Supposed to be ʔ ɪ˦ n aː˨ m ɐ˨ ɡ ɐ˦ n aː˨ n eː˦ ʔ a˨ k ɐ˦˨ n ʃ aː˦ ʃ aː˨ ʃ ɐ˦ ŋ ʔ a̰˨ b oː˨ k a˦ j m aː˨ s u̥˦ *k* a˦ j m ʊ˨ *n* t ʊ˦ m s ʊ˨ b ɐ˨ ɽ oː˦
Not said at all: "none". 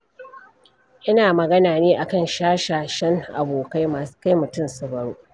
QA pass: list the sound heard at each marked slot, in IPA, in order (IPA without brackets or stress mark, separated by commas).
k, none